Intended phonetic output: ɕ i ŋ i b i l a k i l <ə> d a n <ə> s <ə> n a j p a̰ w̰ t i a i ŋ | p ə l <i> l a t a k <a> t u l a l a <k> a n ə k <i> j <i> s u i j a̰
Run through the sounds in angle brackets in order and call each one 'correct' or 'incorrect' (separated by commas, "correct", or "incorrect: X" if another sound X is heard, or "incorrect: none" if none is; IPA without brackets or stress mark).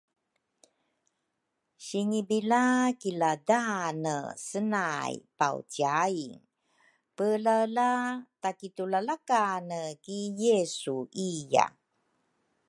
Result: incorrect: a, correct, correct, incorrect: a, incorrect: i, correct, correct, incorrect: e